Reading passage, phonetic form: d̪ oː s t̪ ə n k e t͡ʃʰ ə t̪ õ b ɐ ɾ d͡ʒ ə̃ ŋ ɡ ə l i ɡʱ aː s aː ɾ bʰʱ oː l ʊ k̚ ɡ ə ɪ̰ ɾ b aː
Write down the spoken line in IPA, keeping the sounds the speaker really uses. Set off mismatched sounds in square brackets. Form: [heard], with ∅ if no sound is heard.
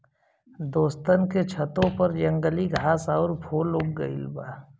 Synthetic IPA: d̪ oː s t̪ ə n k e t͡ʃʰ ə t̪ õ [p] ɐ ɾ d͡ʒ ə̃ ŋ ɡ ə l i ɡʱ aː s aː ɾ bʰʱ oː l ʊ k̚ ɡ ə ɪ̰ [l] b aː